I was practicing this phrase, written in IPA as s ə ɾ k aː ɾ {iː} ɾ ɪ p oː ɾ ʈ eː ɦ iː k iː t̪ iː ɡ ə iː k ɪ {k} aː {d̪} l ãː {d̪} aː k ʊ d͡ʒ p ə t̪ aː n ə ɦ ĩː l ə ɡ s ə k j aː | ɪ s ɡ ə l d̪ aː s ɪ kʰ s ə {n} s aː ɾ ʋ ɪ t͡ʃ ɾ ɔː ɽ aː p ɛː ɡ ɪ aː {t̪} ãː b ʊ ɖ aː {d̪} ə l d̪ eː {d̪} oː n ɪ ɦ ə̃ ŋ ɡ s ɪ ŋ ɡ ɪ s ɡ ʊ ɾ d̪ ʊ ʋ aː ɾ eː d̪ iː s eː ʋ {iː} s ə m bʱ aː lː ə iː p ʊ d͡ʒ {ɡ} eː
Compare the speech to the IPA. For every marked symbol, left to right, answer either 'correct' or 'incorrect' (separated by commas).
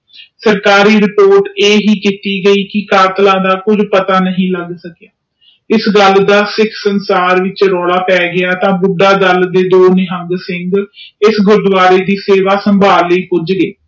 correct, correct, incorrect, correct, correct, correct, correct, correct, incorrect, correct